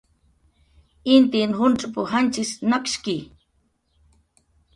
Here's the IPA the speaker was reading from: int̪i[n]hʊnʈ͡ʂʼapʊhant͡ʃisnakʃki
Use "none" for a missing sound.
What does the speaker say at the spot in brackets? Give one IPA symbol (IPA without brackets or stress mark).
n